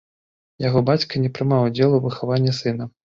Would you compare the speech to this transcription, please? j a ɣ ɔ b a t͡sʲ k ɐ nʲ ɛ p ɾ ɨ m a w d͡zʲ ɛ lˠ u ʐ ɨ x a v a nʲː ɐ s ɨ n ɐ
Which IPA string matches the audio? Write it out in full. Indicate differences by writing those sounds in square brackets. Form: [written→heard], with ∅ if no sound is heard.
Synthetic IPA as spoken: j a ɣ ɔ b a t͡sʲ k ɐ nʲ ɛ p ɾ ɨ m a w d͡zʲ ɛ lˠ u [ʐ→v] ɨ x a v a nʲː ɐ s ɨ n ɐ